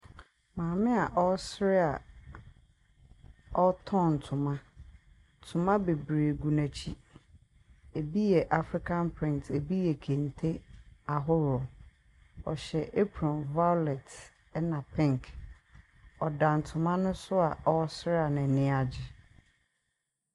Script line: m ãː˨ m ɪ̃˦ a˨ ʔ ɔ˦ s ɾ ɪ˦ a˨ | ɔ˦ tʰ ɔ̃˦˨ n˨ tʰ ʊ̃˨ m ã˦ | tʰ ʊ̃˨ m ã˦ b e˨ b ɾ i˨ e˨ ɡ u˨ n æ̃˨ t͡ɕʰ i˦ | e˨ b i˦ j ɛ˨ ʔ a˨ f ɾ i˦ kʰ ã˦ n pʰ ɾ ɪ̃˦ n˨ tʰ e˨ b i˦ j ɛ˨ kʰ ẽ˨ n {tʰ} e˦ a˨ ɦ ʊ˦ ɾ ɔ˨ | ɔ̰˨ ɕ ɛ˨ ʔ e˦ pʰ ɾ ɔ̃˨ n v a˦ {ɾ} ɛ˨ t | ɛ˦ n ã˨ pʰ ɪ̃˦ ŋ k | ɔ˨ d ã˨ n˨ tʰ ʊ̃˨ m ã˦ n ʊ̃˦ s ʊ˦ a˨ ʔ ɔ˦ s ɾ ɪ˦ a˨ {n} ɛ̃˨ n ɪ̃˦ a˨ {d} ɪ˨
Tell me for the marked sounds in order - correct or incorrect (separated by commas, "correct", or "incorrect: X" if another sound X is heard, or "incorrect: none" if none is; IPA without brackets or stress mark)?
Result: correct, incorrect: l, correct, incorrect: d͡ʑ